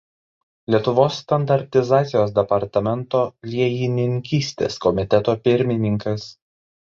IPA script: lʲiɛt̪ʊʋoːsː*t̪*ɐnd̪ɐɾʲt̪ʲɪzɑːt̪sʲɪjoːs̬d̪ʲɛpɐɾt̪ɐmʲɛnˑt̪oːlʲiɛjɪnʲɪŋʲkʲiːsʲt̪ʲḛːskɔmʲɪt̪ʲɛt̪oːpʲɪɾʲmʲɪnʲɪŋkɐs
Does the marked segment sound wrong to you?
no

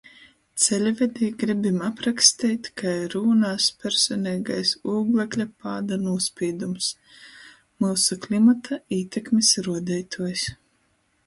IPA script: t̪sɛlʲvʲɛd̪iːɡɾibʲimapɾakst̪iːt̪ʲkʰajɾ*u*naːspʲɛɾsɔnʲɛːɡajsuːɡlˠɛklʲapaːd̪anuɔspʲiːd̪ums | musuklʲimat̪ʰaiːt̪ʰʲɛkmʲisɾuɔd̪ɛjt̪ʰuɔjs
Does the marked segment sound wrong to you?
yes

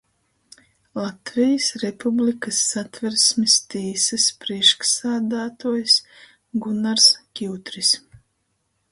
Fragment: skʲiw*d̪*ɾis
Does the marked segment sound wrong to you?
yes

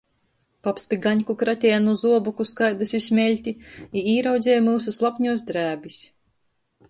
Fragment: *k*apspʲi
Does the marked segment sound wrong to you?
yes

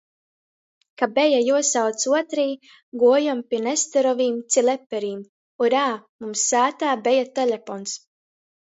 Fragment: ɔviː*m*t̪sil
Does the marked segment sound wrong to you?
no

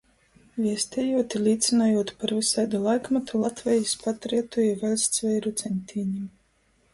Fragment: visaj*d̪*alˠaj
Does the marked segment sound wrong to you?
no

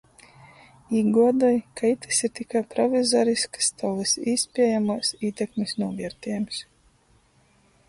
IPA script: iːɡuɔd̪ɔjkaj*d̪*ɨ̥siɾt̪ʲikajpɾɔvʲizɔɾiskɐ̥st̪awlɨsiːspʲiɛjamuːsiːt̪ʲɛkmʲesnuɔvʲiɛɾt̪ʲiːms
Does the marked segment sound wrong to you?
yes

